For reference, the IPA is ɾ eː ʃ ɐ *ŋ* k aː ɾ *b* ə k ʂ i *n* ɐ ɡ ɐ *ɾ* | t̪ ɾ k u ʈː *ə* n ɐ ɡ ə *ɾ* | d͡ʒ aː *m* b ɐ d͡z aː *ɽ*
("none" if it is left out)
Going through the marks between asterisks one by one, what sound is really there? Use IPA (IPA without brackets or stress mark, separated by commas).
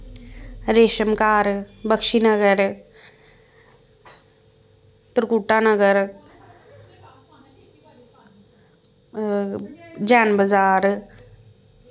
m, b, n, ɾ, a, ɾ, n, ɾ